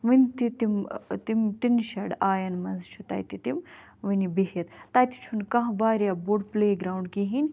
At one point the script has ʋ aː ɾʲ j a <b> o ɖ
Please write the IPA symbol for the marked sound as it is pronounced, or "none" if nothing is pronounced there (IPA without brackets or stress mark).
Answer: b